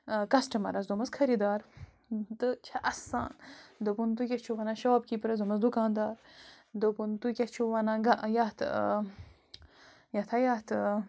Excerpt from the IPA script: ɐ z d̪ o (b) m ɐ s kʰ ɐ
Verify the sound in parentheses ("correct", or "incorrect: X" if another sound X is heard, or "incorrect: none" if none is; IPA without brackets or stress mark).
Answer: incorrect: none